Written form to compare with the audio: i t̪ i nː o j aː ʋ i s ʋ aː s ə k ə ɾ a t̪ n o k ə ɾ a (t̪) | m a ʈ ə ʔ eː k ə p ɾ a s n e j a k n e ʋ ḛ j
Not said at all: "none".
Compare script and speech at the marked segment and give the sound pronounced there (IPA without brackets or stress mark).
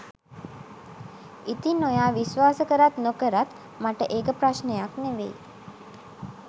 t̪